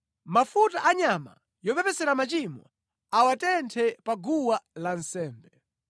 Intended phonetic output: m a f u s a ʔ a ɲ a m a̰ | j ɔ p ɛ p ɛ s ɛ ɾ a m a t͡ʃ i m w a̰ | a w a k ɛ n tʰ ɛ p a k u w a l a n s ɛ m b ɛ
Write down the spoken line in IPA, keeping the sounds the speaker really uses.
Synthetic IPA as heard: m a f u t a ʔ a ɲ a m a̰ | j ɔ p ɛ p ɛ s ɛ ɾ a m a t͡ʃ i m w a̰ | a w a t ɛ n tʰ ɛ p a ɡ u w a l a n s ɛː m b ɛ